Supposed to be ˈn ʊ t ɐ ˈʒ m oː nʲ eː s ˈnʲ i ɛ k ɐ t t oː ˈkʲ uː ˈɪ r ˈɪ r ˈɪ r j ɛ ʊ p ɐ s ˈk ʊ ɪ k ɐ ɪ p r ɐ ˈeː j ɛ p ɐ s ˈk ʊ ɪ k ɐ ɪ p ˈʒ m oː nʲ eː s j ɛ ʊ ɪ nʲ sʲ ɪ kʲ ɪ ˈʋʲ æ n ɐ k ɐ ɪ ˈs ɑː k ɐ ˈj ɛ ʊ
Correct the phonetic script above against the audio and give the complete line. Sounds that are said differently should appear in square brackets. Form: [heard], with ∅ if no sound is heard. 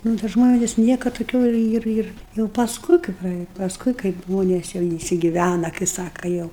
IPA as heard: ˈn ʊ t ɐ ˈʒ m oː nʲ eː s ˈnʲ i ɛ k ɐ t t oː ˈkʲ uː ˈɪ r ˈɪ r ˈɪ r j ɛ ʊ p ɐ s ˈk ʊ ɪ k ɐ ɪ p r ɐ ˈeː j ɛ p ɐ s ˈk ʊ ɪ k ɐ ɪ p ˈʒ m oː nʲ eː s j ɛ ʊ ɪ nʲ sʲ ɪ [ɡʲ] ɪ ˈʋʲ æ n ɐ k ɐ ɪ ˈs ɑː k ɐ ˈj ɛ ʊ